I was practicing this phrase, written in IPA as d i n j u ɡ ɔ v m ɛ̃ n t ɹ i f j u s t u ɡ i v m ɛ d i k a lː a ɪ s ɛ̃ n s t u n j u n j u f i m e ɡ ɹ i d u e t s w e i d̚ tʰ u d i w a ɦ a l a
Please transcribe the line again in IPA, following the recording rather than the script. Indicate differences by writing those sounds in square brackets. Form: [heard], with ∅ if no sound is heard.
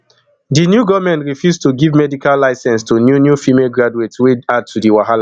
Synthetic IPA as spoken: d i n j u ɡ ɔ v m ɛ̃ n t ɹ i f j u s t u ɡ i v m ɛ d i k a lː a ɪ s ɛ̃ n s t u n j u n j u f i m e ɡ ɹ [a] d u e t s w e [a] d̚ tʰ u d i w a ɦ a l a